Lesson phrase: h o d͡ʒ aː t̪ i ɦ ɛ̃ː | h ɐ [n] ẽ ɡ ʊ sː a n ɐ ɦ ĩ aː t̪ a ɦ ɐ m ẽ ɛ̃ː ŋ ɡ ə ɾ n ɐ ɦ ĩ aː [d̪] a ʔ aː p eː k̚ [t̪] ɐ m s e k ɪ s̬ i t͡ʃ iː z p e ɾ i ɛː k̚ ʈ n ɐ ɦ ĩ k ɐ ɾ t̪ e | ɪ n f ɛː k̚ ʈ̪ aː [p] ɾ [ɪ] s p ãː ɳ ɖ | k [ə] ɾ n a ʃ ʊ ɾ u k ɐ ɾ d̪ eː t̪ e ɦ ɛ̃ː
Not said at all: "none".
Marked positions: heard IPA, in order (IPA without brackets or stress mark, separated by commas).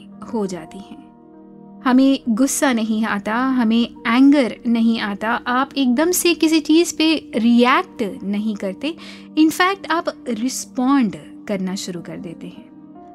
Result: m, t̪, d̪, p, ɪ, ɐ